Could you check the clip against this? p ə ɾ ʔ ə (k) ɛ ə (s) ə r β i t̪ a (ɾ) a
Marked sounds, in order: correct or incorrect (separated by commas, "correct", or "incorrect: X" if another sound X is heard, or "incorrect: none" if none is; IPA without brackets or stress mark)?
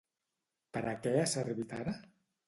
correct, correct, correct